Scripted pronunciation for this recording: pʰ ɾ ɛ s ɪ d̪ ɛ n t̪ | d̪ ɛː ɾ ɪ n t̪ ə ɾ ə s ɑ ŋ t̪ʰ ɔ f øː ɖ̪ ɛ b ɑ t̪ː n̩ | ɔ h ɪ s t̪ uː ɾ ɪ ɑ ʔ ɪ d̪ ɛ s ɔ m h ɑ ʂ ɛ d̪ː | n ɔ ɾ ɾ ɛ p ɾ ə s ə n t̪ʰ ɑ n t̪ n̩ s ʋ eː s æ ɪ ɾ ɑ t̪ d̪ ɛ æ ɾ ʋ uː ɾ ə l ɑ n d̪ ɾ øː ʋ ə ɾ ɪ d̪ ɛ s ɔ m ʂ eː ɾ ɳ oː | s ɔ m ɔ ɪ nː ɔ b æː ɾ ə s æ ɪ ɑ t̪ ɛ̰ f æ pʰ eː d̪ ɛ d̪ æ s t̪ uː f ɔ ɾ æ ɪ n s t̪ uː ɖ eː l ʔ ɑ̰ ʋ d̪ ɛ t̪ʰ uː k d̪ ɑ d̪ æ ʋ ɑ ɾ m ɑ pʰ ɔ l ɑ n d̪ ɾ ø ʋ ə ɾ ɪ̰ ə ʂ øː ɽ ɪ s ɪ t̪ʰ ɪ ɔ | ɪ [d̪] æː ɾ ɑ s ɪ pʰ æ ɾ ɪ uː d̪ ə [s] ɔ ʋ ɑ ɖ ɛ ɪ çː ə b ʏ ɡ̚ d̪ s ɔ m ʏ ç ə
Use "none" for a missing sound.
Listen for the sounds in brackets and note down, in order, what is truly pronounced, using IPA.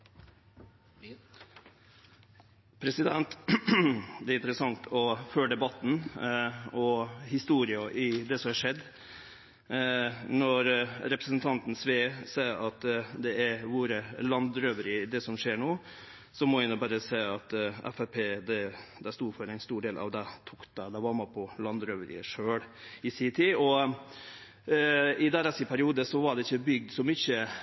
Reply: d̪, s

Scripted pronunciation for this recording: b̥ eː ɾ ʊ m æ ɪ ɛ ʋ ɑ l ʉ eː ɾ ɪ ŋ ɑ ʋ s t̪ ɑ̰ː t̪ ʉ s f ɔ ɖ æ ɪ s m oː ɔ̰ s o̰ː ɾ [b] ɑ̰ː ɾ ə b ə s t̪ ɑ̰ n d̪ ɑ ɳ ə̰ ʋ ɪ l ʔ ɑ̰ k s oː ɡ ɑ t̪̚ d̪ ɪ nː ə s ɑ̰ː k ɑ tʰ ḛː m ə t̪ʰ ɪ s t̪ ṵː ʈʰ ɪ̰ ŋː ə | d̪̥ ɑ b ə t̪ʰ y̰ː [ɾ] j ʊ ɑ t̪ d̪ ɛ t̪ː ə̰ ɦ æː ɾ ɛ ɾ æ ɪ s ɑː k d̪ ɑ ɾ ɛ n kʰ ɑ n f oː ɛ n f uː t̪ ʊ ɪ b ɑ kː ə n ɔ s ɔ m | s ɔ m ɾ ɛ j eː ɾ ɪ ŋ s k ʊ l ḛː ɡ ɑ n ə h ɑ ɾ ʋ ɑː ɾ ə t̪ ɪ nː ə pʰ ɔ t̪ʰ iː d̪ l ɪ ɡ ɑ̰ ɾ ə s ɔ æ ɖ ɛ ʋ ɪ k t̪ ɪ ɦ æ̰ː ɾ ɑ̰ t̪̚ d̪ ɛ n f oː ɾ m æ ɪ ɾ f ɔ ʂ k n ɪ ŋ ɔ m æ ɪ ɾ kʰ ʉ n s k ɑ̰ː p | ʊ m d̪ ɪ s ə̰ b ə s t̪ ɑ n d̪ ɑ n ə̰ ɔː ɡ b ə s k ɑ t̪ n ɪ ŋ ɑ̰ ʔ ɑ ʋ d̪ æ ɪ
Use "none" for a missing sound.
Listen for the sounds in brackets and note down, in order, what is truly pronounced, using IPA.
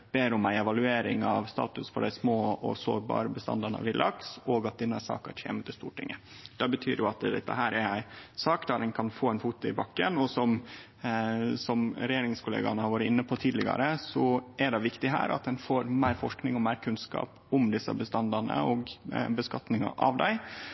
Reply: b, ɾ

